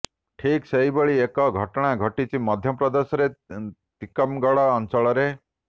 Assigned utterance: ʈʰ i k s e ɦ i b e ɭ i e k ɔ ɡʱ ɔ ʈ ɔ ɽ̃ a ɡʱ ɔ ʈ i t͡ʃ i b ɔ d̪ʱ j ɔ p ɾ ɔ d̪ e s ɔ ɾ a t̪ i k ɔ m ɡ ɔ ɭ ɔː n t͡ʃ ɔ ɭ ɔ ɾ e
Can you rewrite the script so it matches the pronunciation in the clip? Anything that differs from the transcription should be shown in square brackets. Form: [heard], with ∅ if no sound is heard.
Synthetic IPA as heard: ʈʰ i k s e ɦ i b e ɭ i e k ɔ ɡʱ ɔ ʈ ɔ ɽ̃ a ɡʱ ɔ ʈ i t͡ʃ i [m] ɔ d̪ʱ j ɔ p ɾ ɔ d̪ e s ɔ ɾ [e] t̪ i k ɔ m ɡ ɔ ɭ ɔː n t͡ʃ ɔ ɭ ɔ ɾ e